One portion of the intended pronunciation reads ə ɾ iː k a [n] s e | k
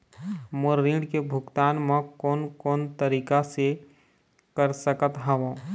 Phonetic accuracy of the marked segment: incorrect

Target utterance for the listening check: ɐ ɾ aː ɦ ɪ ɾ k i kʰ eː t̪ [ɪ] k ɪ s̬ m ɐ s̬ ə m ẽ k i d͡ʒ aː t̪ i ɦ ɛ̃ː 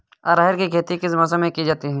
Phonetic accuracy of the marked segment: incorrect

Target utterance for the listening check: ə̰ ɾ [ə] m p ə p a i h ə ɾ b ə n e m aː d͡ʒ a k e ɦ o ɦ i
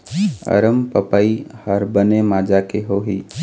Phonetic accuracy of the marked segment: correct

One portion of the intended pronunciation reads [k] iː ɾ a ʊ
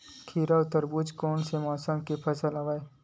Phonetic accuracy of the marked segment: incorrect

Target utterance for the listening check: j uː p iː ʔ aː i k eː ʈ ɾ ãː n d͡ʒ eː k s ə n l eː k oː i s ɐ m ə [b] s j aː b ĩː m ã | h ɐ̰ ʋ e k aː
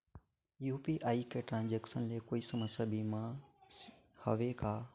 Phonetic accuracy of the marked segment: incorrect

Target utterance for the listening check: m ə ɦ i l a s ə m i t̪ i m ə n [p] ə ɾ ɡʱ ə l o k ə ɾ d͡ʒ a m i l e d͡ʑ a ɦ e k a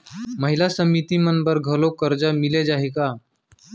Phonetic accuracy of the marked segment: incorrect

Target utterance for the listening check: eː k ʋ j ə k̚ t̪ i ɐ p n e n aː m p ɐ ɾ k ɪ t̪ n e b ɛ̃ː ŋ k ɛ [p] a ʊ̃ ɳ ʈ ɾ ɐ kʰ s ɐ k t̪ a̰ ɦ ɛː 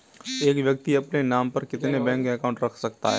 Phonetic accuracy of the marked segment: incorrect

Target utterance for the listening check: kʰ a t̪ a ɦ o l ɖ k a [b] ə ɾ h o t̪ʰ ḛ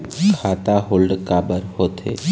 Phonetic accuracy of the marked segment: correct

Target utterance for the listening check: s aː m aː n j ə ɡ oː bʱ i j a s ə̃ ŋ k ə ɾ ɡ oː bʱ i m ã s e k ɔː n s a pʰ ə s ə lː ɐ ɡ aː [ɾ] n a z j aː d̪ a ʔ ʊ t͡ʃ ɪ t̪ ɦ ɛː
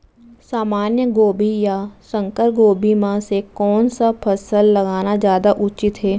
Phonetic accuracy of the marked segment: incorrect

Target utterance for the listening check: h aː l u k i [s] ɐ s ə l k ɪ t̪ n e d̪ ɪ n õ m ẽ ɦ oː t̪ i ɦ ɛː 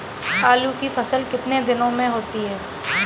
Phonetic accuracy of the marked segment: incorrect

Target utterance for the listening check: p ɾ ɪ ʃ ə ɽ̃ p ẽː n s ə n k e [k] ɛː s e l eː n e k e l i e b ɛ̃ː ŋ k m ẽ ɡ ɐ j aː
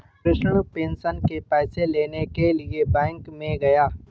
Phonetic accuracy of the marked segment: incorrect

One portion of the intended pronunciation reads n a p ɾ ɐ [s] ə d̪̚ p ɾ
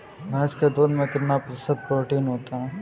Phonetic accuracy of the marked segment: correct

